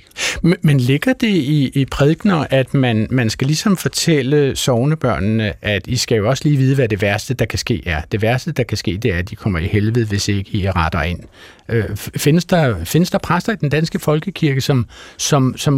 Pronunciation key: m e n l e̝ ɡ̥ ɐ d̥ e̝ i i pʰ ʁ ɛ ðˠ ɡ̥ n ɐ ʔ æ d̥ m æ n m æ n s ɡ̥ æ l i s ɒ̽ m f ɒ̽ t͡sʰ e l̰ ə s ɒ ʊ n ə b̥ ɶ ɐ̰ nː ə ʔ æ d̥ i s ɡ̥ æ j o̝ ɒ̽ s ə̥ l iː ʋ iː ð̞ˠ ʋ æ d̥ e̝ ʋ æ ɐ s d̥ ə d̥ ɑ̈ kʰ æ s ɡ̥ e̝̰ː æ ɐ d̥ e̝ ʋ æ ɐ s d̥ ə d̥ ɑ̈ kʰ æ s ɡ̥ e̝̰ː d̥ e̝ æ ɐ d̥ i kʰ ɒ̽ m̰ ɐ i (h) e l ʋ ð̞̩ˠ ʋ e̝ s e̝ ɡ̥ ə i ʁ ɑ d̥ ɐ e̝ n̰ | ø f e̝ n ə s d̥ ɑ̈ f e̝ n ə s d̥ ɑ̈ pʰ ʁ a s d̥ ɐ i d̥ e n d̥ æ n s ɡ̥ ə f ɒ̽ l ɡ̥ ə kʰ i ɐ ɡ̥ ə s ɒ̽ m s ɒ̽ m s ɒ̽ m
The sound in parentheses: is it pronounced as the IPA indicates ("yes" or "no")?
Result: yes